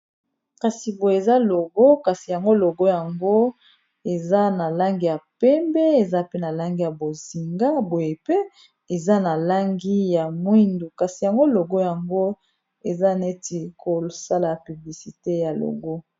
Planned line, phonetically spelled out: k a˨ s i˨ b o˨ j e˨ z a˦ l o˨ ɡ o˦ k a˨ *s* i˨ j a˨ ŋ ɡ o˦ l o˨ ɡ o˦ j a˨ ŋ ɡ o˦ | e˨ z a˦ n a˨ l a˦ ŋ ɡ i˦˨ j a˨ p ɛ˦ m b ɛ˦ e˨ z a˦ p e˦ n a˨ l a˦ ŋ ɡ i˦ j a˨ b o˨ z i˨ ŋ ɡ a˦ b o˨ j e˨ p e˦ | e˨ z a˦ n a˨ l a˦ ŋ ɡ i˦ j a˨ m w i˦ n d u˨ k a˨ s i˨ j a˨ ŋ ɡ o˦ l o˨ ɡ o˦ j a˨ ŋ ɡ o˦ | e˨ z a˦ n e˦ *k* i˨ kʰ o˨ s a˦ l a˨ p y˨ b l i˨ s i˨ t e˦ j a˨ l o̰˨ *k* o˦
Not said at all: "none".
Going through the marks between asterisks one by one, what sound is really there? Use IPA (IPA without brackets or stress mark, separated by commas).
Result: s, t, ɡ